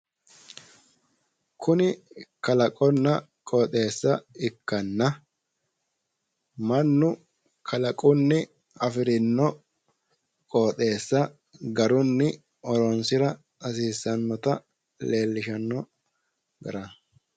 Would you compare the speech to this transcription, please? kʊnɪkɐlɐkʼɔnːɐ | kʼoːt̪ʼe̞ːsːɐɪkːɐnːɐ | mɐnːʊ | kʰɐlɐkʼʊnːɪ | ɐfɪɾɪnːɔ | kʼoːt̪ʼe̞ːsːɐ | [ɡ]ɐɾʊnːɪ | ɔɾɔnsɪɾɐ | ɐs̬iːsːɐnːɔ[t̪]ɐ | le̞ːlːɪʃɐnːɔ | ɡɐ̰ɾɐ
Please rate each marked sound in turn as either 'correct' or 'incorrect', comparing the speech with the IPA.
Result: correct, correct

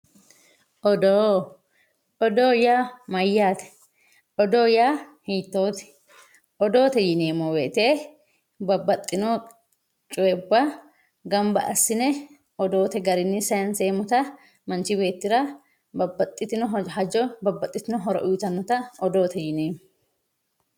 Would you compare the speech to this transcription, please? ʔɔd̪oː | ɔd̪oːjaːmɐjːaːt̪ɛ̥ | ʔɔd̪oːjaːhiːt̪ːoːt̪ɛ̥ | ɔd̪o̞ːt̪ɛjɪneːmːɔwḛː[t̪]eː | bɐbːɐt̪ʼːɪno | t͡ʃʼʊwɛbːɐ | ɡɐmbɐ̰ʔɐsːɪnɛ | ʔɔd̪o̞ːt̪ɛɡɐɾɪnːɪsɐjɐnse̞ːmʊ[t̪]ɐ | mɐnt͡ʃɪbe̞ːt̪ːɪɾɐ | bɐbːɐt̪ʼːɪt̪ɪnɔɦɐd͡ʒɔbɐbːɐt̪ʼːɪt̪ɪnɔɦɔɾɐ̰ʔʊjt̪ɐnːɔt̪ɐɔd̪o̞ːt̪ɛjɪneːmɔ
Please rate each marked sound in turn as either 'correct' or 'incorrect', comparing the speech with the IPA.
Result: correct, correct

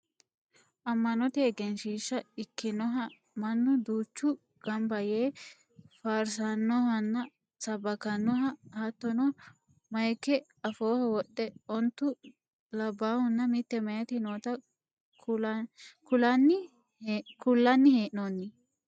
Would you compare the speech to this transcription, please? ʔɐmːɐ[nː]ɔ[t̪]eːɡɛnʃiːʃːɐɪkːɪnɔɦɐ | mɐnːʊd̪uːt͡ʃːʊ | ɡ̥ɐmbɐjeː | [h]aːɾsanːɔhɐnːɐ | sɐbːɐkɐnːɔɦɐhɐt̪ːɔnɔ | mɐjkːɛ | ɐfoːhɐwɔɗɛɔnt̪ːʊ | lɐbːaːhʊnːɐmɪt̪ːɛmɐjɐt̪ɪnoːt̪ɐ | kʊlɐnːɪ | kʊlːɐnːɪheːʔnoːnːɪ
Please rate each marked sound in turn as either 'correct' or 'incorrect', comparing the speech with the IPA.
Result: incorrect, correct, incorrect

